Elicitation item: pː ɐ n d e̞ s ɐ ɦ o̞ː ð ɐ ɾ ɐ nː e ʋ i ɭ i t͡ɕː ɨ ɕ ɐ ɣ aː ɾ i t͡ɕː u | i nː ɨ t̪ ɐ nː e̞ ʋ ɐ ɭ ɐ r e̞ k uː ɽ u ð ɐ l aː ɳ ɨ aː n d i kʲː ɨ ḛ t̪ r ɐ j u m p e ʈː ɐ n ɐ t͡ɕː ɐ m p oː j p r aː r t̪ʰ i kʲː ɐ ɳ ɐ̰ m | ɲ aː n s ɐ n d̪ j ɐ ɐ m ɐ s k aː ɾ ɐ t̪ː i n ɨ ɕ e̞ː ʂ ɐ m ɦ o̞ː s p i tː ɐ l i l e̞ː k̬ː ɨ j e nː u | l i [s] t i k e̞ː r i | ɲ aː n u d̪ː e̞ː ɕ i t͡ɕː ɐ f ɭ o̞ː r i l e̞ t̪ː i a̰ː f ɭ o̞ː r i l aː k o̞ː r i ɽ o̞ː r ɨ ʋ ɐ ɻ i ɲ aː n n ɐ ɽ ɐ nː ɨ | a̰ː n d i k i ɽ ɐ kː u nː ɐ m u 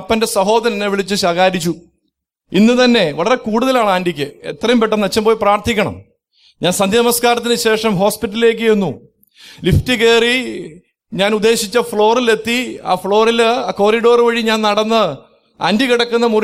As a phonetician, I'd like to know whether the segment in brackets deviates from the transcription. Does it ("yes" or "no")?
yes